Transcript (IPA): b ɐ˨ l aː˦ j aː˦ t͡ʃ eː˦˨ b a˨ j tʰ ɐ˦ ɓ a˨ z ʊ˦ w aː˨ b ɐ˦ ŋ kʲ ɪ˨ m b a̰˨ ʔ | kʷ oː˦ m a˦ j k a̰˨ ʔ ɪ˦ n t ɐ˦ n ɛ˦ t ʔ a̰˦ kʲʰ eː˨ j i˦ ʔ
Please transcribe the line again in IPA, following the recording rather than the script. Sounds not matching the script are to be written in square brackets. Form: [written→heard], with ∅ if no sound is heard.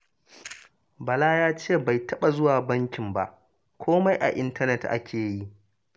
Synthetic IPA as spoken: b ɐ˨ l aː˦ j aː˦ t͡ʃ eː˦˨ b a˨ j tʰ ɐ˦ ɓ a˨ z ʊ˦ w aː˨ b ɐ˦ ŋ kʲ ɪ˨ m b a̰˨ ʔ | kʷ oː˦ m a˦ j [k→ʔ] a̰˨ ʔ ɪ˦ n t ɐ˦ n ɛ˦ t ʔ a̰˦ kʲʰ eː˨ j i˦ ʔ